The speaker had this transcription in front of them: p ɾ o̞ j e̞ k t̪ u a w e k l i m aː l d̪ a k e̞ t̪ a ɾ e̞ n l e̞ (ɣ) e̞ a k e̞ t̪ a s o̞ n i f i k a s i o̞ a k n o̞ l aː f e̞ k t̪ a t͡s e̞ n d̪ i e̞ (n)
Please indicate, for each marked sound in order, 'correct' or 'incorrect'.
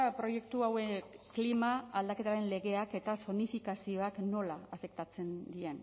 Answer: correct, correct

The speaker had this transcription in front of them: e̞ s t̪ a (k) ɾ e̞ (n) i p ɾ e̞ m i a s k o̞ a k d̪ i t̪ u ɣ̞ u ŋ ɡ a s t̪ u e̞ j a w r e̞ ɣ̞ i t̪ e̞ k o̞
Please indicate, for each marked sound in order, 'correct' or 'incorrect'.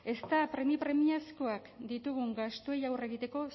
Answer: incorrect, incorrect

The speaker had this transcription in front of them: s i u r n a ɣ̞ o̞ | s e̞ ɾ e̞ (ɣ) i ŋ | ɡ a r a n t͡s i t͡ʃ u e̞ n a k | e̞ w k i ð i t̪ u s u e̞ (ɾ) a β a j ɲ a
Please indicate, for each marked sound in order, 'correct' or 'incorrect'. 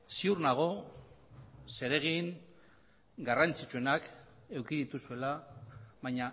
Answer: correct, incorrect

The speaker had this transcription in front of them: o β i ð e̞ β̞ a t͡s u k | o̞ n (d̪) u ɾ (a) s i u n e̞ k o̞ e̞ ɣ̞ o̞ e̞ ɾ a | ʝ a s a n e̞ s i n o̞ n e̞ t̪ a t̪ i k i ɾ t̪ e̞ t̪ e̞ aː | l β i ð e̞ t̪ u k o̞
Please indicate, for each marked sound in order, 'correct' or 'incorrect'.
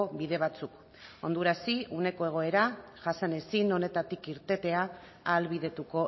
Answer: correct, correct

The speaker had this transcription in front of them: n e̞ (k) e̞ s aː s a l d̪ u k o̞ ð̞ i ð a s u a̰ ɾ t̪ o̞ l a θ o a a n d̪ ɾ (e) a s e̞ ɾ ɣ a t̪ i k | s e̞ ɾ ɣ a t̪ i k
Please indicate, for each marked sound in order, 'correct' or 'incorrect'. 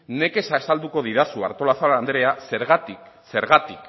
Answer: correct, correct

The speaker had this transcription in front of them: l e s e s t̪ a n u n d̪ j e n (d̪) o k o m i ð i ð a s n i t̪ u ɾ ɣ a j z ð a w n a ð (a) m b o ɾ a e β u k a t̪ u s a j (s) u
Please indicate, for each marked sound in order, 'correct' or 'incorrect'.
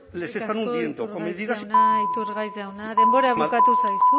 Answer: incorrect, incorrect, correct

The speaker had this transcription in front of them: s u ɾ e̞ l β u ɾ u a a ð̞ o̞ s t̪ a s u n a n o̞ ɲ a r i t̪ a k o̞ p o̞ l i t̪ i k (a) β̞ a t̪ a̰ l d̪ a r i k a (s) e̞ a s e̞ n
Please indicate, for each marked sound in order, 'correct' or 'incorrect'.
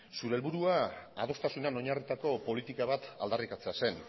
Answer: correct, incorrect

